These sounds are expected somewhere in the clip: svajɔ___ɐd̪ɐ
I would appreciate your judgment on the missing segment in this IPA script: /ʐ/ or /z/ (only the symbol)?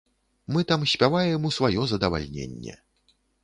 z